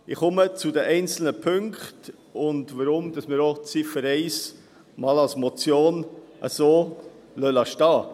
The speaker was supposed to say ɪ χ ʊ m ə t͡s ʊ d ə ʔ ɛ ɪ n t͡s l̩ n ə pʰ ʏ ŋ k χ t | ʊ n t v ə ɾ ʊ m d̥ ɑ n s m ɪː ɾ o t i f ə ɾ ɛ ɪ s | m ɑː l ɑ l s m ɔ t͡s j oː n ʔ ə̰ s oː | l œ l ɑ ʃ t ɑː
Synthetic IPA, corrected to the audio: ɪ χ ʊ m ə t͡s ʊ d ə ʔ ɛ ɪ n t͡s l̩ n ə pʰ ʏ ŋ k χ t | ʊ n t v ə ɾ ʊ m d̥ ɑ s m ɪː ɾ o t͡s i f ə ɾ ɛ ɪ s | m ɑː l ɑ l s m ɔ t͡s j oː n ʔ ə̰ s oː | l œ l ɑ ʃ t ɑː